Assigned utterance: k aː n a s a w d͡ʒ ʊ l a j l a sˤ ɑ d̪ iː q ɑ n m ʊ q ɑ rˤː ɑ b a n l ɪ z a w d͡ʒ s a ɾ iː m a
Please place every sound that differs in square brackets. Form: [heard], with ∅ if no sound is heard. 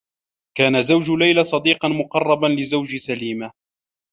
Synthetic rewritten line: k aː n a [z] a w d͡ʒ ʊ l a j l a sˤ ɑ d̪ iː q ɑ n m ʊ q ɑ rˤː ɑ b a n l ɪ z a w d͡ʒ s a [l] iː m a